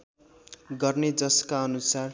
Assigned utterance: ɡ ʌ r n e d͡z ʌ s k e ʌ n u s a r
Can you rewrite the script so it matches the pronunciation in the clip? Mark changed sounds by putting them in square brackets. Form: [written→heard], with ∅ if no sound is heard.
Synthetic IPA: ɡ ʌ r n e d͡z ʌ s k [e→a] ʌ n u s a r